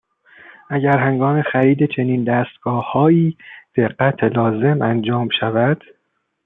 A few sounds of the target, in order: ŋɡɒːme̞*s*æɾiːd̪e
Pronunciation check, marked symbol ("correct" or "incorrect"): incorrect